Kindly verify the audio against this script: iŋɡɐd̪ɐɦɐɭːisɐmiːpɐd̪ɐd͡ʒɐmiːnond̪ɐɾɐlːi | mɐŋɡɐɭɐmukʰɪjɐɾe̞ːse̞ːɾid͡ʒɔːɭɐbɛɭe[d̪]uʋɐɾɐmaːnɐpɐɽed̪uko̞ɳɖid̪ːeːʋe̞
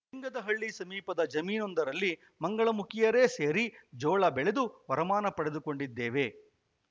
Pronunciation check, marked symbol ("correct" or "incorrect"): correct